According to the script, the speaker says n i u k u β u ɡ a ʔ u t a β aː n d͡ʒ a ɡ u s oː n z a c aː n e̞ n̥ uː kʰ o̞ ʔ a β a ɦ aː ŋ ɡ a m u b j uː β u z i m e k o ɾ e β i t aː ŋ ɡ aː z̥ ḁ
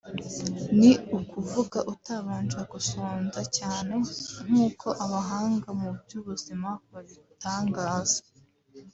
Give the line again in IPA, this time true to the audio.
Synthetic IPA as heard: n i u k u v u ɡ a ʔ u t a β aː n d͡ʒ a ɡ u s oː n z a c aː n e̞ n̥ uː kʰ o̞ ʔ a β a ɦ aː ŋ ɡ a m u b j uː β u z i m a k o ɾ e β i t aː ŋ ɡ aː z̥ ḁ